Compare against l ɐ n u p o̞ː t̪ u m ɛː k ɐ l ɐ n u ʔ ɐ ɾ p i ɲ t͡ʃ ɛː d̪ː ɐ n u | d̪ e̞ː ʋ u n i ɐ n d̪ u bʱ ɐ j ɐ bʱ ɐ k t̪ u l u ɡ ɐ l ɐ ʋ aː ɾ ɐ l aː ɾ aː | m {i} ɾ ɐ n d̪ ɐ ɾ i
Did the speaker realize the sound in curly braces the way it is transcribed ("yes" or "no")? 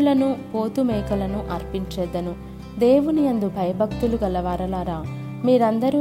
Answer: no